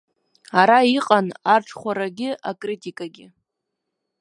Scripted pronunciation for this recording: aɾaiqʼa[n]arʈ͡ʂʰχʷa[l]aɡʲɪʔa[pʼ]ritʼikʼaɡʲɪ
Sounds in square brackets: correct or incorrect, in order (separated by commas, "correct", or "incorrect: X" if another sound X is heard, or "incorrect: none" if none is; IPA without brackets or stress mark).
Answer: correct, incorrect: ɾ, incorrect: kʼ